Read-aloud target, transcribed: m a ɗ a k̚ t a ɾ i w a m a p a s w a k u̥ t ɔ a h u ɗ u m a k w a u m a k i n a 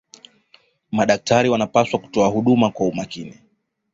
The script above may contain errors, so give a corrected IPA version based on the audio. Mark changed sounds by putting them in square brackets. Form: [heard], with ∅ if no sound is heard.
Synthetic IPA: m a ɗ a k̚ t a ɾ i w a [n] a p a s w a k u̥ t ɔ a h u ɗ u m a k w a u m a k i n [i]